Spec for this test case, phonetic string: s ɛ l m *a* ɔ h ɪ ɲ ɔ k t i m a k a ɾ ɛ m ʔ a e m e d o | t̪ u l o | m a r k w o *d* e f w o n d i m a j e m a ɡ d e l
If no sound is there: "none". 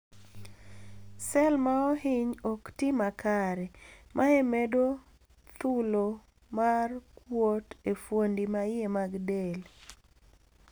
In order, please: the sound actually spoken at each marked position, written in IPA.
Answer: a, t

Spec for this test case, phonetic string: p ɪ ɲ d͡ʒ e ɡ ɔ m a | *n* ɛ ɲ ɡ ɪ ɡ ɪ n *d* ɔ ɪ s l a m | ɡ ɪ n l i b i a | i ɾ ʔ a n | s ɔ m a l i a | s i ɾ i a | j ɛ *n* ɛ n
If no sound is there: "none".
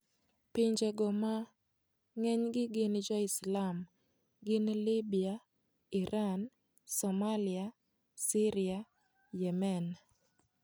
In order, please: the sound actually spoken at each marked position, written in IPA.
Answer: ŋ, d͡ʒ, m

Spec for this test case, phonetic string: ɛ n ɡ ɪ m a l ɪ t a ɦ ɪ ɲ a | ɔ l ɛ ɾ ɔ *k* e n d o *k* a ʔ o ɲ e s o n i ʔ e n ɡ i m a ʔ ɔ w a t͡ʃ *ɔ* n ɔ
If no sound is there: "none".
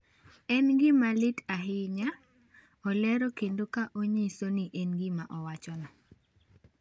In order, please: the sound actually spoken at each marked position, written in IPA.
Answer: k, k, ɔ

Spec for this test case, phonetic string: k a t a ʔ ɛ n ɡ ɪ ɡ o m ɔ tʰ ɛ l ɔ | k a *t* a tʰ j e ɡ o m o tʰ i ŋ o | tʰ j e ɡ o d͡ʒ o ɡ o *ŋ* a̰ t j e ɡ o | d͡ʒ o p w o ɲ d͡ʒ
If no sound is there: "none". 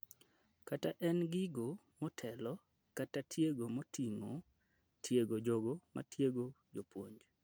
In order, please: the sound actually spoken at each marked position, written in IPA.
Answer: t, m

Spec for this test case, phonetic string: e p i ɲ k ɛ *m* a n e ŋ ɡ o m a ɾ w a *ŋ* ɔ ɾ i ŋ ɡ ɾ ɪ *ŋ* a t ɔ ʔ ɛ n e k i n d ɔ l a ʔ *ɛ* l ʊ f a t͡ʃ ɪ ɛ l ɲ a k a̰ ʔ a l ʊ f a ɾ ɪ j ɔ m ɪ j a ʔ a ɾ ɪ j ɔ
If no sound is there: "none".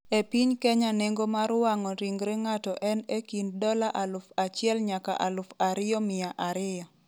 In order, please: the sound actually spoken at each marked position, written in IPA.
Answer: ɲ, ŋ, ŋ, a

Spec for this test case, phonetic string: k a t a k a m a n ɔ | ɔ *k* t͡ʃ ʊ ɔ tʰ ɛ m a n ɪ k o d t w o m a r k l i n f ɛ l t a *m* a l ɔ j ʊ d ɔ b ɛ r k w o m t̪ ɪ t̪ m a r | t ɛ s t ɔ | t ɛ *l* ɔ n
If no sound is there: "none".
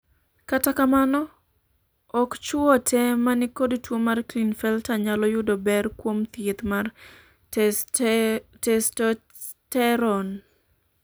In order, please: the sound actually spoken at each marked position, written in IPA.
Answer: k, ɲ, ɾ

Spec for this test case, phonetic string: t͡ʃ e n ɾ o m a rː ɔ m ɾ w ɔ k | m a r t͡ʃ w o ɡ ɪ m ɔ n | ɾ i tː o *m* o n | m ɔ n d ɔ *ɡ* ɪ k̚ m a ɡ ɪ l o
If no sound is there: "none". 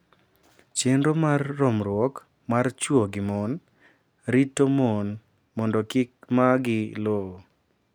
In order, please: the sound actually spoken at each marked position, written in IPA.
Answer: m, k

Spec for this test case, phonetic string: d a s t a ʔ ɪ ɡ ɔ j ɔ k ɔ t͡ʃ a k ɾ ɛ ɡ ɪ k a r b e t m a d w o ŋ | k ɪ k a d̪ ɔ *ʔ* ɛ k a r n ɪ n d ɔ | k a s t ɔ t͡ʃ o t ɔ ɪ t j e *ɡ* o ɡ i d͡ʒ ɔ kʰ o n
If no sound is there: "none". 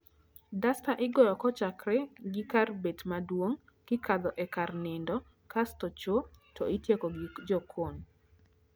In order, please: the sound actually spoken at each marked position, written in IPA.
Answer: ʔ, k

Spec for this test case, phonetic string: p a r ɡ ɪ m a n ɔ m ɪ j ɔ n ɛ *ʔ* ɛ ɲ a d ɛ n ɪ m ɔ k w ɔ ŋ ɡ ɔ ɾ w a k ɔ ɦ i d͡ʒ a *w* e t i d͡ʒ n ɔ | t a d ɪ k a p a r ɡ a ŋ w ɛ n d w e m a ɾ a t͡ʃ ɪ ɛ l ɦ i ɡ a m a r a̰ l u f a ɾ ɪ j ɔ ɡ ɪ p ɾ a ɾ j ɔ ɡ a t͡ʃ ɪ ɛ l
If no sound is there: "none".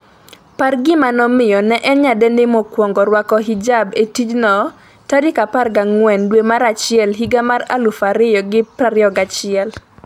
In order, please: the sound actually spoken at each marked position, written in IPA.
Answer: ʔ, b

